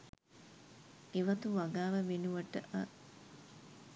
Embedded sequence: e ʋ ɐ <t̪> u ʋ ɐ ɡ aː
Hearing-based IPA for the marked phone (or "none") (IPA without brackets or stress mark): t̪